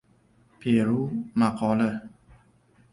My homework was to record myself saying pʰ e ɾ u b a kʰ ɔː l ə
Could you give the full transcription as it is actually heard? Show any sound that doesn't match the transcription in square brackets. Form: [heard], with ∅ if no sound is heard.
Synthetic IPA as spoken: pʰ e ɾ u [m] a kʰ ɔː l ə